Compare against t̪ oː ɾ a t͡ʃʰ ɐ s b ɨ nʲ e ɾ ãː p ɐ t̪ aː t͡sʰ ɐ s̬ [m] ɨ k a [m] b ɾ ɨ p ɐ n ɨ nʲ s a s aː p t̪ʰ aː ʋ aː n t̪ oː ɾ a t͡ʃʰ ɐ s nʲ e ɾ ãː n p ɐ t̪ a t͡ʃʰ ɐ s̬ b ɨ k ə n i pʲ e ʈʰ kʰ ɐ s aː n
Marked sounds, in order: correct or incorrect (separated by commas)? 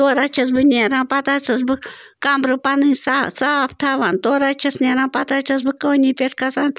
incorrect, correct